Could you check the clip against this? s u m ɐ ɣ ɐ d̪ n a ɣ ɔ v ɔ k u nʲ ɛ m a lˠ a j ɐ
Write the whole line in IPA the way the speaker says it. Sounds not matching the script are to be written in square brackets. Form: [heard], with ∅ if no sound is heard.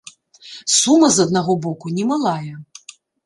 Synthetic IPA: s u m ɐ [z] ɐ d̪ n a ɣ ɔ [b] ɔ k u nʲ ɛ m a lˠ a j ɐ